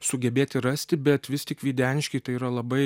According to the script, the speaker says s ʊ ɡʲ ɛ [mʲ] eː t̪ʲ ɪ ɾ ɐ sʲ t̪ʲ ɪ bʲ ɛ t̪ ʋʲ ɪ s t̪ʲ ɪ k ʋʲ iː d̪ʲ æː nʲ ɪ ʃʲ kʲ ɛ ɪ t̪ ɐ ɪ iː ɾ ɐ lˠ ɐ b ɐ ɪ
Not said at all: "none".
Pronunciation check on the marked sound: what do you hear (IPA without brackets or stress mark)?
bʲ